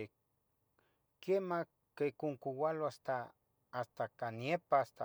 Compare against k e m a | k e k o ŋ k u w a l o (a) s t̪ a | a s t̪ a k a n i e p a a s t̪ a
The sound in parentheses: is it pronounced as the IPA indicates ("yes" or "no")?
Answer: yes